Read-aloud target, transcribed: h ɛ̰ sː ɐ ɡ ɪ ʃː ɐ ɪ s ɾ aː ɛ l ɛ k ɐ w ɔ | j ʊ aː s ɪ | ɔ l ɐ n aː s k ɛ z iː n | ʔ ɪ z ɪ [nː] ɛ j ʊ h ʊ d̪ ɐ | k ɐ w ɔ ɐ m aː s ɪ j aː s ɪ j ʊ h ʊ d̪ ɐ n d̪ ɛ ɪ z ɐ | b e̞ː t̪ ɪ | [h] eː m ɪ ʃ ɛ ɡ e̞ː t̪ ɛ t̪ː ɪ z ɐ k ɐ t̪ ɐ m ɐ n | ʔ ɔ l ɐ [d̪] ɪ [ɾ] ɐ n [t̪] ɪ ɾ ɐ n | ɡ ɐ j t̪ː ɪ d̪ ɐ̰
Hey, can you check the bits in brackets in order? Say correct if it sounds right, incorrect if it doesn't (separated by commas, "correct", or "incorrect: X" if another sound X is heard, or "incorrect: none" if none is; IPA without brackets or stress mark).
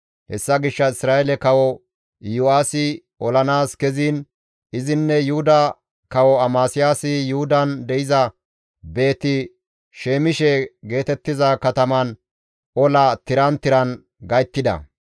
correct, incorrect: ʃ, incorrect: t̪, correct, correct